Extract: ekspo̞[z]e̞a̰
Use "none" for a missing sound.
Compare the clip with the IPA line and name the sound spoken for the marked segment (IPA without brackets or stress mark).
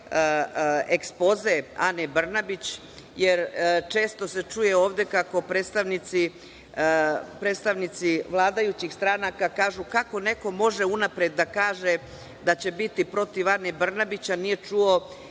z